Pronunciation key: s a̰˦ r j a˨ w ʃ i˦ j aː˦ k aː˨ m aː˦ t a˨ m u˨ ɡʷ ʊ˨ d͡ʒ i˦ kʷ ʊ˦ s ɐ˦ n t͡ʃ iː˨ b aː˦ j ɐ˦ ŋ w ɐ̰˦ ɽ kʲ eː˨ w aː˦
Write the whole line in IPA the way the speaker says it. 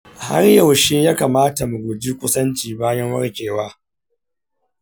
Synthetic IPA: h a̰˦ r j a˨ w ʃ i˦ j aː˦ k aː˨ m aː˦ t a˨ m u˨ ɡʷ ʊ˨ d͡ʒ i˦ kʷ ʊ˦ s ɐ˦ n t͡ʃ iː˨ b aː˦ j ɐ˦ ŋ w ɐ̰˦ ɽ kʲ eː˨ w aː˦